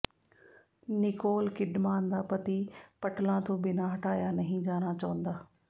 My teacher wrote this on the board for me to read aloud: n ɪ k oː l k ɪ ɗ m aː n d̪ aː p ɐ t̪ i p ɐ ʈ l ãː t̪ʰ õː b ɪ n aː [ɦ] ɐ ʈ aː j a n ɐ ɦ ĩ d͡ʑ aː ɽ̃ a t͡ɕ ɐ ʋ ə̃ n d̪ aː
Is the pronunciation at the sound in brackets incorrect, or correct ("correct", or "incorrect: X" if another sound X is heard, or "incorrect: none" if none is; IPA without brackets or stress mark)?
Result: correct